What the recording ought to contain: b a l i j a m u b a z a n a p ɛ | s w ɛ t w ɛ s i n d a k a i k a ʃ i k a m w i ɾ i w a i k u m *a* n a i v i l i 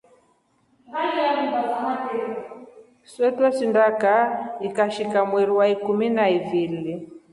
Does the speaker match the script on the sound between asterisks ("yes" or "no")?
no